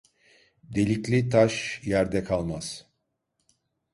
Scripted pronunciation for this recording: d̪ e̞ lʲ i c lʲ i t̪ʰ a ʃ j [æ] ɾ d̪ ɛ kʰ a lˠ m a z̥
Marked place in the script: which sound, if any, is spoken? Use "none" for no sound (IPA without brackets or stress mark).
æ